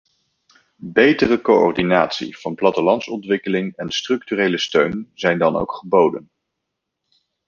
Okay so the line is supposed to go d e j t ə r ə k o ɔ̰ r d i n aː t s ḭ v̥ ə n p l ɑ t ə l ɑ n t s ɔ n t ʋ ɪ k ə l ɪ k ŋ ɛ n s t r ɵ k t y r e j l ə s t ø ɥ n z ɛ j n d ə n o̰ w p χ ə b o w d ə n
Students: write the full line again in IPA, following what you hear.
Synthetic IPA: b e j t ə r ə k o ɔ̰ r d i n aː t s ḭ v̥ ɑ n p l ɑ t ə l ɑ n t s ɔ n t ʋ ɪ k ə l ɪ ŋ ɛ n s t r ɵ k t y r e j l ə s t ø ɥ n z ɛ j n d ɑ n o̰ w k χ ə b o w d ə n